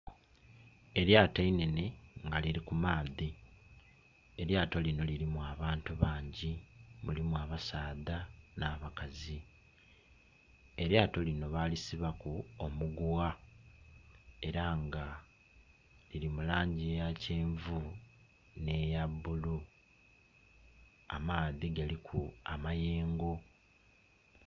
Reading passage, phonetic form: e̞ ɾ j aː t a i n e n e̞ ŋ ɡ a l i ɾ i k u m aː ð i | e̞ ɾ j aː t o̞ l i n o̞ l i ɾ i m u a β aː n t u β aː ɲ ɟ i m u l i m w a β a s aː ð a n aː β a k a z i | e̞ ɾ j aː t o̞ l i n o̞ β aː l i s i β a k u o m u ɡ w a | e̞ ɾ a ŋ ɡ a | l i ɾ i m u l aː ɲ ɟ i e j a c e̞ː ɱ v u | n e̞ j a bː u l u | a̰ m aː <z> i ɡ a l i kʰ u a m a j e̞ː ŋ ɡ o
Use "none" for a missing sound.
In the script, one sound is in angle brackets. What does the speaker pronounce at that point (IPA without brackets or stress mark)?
ð